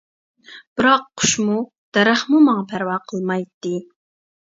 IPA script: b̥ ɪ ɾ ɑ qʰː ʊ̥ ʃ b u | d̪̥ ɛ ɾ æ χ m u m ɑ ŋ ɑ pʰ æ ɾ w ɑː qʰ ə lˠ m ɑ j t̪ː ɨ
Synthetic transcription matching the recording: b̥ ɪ ɾ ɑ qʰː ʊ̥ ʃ m u | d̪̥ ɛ ɾ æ χ m u m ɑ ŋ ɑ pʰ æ ɾ w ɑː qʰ ə lˠ m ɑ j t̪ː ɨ